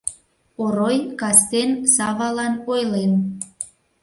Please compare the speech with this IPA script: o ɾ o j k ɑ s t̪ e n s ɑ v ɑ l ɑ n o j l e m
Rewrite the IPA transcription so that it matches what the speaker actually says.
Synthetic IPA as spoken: o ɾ o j k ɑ s t̪ e n s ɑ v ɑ l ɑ n o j l e n